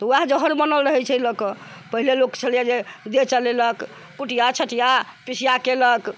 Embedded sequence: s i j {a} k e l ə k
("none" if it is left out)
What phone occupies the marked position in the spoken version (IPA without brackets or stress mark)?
a